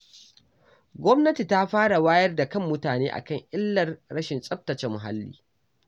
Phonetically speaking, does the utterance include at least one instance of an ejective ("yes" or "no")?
yes